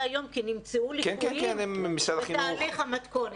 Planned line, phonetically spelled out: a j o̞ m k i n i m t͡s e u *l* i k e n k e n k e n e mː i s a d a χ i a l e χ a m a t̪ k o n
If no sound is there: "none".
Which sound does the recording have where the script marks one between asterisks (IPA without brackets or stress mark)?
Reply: l